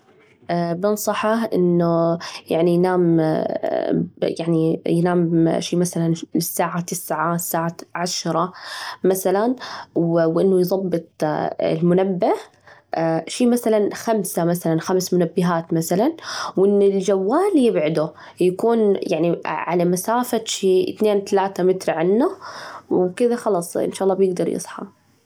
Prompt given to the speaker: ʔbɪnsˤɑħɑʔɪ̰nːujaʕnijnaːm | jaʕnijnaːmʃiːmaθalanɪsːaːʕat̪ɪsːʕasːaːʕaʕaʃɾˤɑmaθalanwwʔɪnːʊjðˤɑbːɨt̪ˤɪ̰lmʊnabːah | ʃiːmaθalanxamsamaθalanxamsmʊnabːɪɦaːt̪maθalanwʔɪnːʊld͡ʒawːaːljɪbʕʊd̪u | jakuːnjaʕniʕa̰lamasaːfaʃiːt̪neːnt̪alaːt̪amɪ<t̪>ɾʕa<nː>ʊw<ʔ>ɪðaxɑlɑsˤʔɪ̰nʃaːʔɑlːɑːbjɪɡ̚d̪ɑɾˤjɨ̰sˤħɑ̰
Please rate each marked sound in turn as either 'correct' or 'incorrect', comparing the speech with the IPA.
correct, correct, incorrect: k

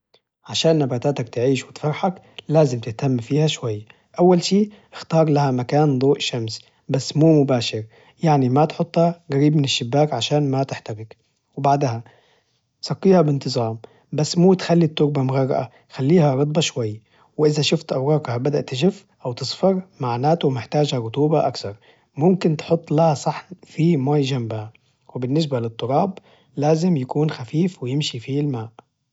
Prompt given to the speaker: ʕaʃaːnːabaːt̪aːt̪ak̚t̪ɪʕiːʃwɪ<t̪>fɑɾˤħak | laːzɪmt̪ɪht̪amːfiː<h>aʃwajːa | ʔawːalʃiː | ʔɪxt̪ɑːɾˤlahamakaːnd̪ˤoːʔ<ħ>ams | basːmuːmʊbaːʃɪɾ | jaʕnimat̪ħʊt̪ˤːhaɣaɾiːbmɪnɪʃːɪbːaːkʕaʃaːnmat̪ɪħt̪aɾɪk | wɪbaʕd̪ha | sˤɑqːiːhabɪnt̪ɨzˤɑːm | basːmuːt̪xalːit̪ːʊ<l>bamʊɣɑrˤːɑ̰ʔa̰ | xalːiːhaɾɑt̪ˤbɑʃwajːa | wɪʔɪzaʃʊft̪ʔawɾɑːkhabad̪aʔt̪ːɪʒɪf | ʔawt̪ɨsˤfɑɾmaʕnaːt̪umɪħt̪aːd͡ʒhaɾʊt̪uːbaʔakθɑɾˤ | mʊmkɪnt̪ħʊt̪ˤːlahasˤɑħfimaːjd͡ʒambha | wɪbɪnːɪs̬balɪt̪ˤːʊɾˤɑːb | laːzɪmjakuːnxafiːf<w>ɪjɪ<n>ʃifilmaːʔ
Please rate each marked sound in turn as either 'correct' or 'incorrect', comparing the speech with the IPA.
correct, correct, incorrect: ʃ, incorrect: ɾ, correct, incorrect: m

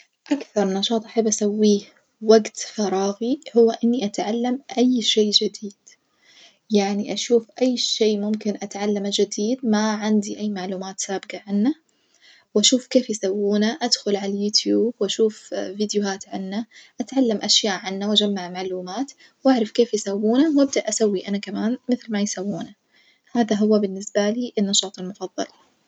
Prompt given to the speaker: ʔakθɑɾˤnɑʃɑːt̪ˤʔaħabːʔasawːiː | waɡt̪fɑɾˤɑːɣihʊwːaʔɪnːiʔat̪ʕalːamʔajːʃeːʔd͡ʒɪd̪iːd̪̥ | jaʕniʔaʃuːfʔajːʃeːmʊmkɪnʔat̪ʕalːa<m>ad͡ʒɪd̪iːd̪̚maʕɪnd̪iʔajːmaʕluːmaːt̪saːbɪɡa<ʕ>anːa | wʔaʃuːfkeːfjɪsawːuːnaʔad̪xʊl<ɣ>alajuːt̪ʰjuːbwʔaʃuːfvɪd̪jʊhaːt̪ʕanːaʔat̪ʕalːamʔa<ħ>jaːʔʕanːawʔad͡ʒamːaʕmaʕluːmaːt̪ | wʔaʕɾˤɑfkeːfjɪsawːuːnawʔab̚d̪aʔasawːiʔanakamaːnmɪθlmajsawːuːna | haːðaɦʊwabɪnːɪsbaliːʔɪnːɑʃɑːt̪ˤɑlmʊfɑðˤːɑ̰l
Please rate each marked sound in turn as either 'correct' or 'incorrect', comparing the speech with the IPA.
correct, correct, incorrect: ʕ, incorrect: ʃ

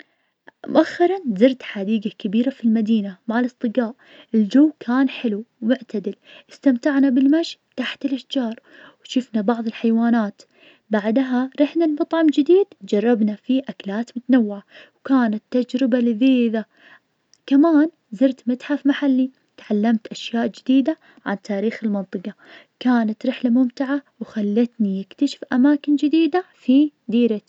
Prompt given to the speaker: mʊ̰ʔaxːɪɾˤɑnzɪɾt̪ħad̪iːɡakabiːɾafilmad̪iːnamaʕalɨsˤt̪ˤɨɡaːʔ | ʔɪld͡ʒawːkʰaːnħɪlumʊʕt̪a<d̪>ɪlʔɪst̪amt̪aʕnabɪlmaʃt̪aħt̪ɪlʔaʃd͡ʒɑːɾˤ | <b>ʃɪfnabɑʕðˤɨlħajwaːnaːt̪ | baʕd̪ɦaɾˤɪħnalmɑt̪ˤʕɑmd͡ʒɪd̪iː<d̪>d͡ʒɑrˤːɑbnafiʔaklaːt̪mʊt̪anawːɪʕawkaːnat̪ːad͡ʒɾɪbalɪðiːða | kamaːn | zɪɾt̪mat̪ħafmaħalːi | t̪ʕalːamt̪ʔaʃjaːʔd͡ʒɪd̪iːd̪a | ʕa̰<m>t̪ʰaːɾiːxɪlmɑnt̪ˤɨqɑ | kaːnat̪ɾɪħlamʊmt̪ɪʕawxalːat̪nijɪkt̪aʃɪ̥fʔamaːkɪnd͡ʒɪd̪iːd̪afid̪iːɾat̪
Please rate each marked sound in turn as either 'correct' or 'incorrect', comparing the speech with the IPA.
correct, incorrect: w, correct, incorrect: n

